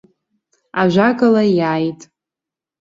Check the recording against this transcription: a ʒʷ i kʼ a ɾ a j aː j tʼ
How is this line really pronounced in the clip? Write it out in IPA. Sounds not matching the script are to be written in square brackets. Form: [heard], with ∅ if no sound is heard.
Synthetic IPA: a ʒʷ [a] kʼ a [l] a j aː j tʼ